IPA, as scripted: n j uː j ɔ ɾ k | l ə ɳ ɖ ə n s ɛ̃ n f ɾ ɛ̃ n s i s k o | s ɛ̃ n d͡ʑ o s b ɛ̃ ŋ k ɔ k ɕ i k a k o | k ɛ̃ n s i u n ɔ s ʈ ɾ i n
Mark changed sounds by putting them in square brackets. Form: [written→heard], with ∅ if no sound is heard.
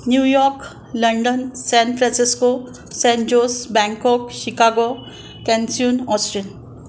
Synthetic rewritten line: n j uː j ɔ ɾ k | l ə ɳ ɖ ə n s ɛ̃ n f ɾ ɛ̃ n s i s k o | s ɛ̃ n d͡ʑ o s b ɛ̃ ŋ k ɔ k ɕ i k a [k→ɡ] o | k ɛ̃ n s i u n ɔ s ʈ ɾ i n